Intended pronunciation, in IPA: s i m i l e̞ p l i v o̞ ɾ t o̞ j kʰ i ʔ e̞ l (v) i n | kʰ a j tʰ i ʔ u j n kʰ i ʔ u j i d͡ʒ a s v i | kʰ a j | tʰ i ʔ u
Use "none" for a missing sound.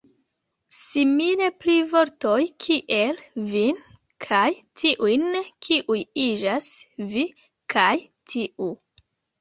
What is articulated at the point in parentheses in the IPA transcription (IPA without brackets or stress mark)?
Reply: v